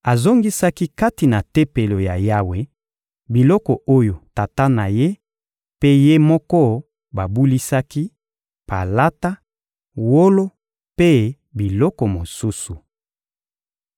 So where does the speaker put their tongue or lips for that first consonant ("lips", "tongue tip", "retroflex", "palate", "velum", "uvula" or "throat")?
tongue tip